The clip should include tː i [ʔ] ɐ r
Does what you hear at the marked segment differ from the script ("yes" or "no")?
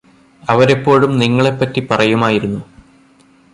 yes